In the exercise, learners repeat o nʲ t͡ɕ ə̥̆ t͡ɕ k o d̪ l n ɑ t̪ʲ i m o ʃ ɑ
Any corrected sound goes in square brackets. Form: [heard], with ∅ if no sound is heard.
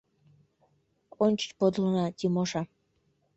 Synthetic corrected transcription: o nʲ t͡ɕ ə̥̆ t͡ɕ [p] o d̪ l n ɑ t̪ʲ i m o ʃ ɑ